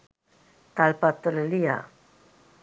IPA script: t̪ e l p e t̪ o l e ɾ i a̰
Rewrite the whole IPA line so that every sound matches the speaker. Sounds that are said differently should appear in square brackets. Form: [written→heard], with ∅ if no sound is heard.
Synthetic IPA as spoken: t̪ [e→a] l p [e→a] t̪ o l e [ɾ→l] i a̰